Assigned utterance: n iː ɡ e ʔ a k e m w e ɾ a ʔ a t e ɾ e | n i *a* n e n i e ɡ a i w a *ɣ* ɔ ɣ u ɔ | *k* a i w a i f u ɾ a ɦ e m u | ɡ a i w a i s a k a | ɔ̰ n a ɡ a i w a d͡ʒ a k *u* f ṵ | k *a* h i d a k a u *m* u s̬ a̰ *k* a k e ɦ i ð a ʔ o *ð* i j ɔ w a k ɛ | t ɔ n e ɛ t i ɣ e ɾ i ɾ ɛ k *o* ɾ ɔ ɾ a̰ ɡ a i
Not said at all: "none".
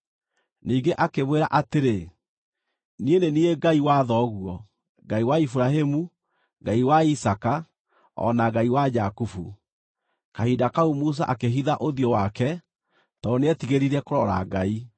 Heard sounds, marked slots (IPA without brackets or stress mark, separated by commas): e, ð, ɡ, u, a, m, ʔ, ð, o